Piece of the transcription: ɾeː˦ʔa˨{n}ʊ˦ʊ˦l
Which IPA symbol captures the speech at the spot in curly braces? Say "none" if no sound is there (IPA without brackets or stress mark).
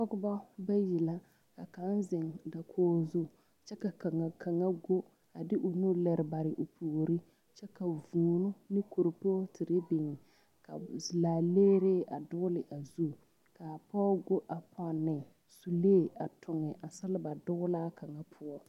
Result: d